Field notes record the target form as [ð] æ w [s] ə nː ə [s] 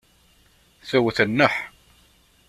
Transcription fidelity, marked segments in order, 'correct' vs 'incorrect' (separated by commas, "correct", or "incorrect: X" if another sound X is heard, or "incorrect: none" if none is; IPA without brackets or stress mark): incorrect: θ, incorrect: θ, incorrect: ħ